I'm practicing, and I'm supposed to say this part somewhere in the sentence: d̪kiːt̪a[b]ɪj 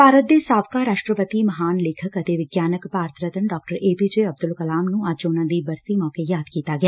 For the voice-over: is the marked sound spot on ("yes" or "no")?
no